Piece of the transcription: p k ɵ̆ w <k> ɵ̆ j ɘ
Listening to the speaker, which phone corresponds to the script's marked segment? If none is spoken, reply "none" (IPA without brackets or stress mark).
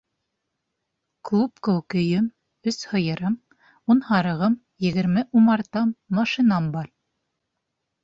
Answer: k